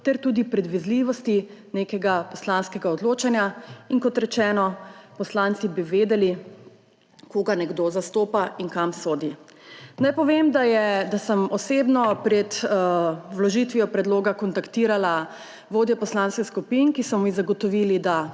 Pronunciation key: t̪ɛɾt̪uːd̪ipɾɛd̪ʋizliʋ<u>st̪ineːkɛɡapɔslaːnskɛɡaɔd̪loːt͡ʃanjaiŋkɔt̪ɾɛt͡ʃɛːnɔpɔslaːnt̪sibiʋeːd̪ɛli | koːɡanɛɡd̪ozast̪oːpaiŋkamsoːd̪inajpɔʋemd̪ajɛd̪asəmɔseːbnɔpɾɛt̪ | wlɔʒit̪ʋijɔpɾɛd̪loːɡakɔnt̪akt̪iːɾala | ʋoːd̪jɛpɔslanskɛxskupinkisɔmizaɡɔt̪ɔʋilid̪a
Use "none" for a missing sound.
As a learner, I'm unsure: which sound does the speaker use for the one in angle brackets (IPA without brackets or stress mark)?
ɔ